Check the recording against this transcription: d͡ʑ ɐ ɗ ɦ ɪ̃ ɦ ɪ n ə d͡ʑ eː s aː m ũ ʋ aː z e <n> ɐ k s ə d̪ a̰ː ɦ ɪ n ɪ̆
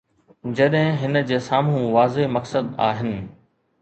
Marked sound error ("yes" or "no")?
yes